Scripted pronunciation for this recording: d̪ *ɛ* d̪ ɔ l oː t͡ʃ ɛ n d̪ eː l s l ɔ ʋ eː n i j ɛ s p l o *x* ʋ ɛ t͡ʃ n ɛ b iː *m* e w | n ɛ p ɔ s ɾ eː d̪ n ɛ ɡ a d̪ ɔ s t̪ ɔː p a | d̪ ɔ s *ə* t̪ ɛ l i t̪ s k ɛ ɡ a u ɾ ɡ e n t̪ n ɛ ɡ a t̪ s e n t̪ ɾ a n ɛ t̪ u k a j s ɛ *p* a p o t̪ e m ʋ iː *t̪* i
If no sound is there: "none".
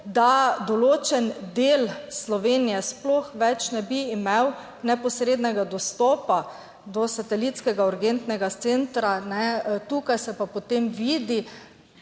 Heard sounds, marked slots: a, x, m, a, p, d̪

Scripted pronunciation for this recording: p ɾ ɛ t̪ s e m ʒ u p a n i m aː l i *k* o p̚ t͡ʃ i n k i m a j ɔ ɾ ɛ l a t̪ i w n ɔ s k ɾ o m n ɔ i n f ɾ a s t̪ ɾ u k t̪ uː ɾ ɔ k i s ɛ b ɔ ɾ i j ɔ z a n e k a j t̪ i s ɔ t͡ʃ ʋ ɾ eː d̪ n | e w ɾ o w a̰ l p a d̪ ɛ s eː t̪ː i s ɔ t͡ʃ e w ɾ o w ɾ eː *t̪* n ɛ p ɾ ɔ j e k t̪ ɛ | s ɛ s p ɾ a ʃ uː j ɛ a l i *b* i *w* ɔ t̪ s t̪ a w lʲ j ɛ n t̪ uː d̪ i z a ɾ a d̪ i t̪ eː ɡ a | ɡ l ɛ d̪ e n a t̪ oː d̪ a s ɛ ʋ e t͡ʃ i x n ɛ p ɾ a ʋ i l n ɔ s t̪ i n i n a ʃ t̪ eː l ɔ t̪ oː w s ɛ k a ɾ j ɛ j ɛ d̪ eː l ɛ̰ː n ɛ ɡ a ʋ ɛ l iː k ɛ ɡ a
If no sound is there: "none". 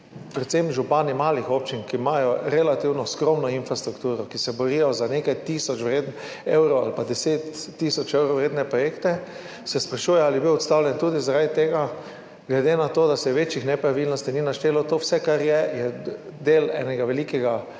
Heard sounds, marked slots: x, d̪, b, w

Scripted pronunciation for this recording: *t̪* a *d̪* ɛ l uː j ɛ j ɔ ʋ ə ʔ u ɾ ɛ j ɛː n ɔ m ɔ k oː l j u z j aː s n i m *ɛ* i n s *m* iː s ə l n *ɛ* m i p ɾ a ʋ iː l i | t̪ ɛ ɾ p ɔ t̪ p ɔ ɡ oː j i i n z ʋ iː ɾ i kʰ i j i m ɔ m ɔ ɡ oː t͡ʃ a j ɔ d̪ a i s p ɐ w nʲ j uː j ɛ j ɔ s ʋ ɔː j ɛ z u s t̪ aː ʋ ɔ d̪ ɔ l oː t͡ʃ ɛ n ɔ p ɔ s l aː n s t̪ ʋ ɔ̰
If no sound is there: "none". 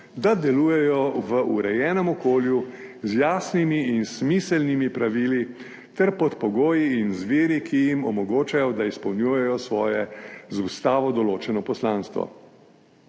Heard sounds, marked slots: d̪, d̪, i, m, i

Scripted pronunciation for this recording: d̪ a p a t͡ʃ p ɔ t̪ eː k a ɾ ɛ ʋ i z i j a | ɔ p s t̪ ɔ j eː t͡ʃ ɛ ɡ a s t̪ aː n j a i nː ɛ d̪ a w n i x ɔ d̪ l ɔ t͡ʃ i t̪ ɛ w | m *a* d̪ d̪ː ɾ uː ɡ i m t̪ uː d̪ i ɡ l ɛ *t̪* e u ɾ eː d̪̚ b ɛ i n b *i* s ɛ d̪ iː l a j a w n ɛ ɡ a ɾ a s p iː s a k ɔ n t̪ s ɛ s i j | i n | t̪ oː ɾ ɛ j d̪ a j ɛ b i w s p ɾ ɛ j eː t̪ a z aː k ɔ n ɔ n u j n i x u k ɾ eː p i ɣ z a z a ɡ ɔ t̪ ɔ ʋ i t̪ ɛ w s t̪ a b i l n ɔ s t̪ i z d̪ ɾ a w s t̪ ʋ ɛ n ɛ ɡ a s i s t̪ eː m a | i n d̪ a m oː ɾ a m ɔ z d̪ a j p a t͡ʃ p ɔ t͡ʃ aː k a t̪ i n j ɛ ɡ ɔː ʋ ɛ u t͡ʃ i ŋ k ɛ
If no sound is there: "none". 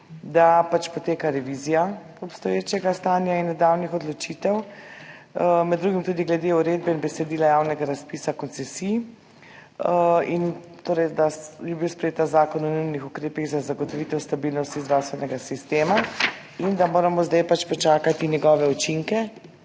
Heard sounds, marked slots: ɛ, d̪, ɛ

